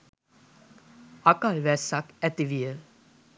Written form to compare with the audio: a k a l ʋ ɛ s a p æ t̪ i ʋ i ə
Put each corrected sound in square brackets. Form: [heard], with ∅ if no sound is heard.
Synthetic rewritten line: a k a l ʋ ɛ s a [k] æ t̪ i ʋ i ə

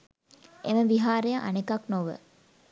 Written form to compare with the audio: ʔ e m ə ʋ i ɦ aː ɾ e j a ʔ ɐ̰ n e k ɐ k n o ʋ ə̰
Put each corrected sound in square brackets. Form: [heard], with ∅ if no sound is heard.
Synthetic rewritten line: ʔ e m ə ʋ i ɦ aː ɾ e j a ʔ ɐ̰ n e k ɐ k n o ʋ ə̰

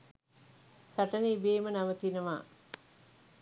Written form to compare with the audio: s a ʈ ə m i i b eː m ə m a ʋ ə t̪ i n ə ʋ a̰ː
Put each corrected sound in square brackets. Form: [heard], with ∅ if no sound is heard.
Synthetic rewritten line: s a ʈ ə [n] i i b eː m ə [n] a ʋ ə t̪ i n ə ʋ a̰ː

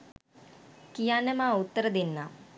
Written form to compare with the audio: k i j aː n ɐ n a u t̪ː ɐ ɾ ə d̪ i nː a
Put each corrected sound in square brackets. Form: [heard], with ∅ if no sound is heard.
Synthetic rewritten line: k i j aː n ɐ [m] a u t̪ː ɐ ɾ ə d̪ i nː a

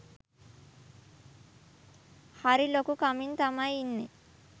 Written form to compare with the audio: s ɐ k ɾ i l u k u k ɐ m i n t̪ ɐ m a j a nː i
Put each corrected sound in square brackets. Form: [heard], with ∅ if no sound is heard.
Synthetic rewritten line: [h] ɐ [∅] ɾ i l [o] k u k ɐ m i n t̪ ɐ m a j [i] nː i

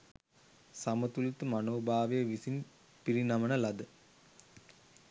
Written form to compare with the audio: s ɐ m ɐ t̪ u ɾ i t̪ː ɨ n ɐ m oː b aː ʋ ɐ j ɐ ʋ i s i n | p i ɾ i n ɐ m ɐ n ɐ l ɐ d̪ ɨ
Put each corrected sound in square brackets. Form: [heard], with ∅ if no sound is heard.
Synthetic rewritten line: s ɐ m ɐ t̪ u [l] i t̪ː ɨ [m] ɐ [n] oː b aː ʋ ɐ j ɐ ʋ i s i n | p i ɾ i n ɐ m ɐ n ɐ l ɐ d̪ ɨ

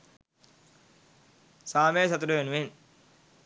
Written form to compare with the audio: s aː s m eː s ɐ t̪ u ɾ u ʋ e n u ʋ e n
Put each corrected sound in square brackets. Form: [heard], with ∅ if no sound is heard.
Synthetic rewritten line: s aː [∅] m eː s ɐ t̪ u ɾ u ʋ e n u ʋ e n

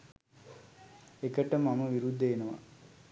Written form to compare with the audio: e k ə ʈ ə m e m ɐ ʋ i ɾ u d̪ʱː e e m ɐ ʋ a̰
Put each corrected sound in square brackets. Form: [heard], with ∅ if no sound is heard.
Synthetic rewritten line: e k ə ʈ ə m [a] m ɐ ʋ i ɾ u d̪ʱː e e [n] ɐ ʋ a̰

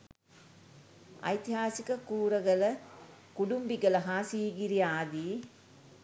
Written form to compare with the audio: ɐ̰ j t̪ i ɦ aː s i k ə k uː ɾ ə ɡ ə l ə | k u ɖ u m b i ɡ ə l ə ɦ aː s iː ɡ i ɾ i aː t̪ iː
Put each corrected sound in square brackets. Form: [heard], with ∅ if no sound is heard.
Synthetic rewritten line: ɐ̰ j t̪ i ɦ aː s i k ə k uː ɾ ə ɡ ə l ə | k u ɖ u m b i ɡ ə l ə ɦ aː s iː ɡ i ɾ i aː [d̪] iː

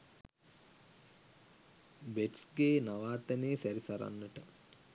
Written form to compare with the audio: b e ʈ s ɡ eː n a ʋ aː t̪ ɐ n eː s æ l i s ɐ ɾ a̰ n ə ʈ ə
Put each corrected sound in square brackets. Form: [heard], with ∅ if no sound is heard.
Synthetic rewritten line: b e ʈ s ɡ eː n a ʋ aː t̪ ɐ n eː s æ [ɾ] i s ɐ ɾ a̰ [nː] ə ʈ ə

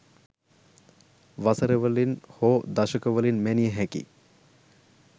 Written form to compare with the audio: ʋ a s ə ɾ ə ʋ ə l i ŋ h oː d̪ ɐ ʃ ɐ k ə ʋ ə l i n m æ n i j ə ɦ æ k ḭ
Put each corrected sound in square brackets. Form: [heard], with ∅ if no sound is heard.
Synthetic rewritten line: ʋ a s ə ɾ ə ʋ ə l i [n] h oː d̪ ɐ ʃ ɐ k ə ʋ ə l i n m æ n i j ə ɦ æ k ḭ

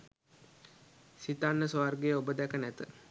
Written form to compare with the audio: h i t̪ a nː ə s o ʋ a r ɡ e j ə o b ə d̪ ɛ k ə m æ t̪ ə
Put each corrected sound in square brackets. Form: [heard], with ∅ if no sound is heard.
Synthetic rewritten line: [s] i t̪ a nː ə s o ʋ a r ɡ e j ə o b ə d̪ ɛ k ə [n] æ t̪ ə

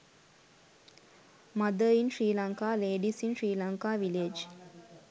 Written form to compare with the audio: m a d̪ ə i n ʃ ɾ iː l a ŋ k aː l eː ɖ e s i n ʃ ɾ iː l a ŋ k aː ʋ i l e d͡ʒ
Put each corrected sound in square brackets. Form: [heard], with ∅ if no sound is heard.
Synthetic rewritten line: m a d̪ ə i n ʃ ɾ iː l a ŋ k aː l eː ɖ [i] s i n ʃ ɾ iː l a ŋ k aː ʋ i l e d͡ʒ

